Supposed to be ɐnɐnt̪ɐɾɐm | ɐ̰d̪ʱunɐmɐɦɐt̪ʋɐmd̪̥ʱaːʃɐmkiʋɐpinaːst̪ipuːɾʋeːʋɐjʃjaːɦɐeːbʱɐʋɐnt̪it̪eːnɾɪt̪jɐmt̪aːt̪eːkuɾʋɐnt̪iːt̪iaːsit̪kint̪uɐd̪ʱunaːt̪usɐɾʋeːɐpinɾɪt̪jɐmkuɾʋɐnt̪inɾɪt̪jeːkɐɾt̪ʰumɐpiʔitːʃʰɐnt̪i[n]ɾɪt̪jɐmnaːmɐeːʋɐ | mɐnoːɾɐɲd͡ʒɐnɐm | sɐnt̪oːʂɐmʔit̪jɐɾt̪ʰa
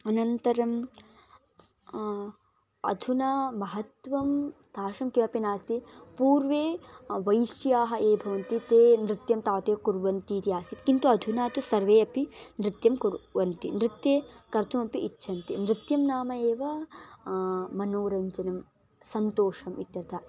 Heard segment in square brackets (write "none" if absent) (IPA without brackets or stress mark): n